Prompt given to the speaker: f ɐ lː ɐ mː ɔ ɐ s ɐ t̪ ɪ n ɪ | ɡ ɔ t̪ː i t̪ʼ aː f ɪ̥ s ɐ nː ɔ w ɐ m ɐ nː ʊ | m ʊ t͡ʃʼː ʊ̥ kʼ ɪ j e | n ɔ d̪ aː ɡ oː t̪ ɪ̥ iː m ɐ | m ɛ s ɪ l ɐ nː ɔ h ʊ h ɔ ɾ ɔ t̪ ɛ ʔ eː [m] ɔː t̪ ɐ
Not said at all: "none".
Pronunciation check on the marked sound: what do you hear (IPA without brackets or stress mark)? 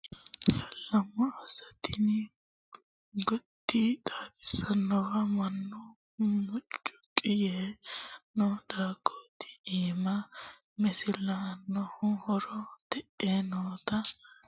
n